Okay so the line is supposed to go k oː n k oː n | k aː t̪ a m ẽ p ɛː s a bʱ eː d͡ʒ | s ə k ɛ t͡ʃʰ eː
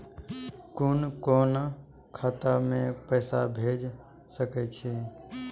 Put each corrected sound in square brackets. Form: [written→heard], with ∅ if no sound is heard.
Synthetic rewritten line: k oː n k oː n | [k→kʰ] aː t̪ a m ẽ p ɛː s a bʱ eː d͡ʒ | s ə k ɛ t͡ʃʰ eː